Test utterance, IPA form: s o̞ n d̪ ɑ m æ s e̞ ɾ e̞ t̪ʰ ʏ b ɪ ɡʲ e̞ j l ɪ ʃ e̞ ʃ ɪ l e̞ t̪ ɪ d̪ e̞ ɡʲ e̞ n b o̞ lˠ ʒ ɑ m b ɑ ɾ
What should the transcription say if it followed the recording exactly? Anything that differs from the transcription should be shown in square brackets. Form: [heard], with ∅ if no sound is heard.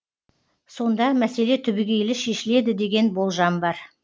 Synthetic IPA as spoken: s o̞ n d̪ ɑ m æ s e̞ [l] e̞ t̪ʰ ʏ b ɪ ɡʲ e̞ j l ɪ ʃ e̞ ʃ ɪ l e̞ [d̪] ɪ d̪ e̞ ɡʲ e̞ n b o̞ lˠ ʒ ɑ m b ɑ ɾ